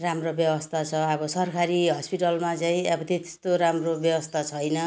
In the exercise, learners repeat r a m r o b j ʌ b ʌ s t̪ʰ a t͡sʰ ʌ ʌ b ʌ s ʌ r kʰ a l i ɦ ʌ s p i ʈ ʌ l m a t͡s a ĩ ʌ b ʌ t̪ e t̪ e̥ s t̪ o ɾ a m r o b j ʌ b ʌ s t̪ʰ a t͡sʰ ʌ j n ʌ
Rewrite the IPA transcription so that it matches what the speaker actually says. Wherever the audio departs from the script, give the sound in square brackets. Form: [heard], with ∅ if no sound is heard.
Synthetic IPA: r a m r o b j ʌ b ʌ s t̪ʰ a t͡sʰ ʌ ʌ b ʌ s ʌ r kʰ a [ɾ] i ɦ ʌ s p i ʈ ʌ l m a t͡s a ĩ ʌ b ʌ t̪ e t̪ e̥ s t̪ o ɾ a m r o b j ʌ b ʌ s t̪ʰ a t͡sʰ ʌ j n ʌ